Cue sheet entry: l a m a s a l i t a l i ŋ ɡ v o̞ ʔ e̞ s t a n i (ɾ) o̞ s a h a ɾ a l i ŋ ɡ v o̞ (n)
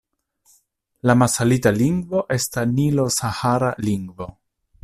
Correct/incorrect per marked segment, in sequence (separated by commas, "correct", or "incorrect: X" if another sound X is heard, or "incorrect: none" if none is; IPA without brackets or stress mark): incorrect: l, incorrect: none